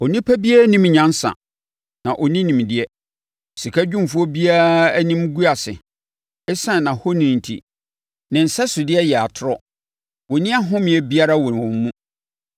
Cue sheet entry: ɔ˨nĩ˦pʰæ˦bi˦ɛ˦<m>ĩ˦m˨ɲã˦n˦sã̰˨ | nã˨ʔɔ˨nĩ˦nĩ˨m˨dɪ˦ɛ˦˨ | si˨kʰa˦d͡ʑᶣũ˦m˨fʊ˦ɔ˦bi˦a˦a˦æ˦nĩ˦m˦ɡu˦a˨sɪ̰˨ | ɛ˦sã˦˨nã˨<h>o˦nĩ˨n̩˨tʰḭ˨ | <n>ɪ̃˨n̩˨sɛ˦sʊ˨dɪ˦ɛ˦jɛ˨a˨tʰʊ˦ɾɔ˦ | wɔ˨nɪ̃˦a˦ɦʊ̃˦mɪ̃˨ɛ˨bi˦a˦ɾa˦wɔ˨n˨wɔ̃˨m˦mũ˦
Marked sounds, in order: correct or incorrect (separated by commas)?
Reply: incorrect, correct, correct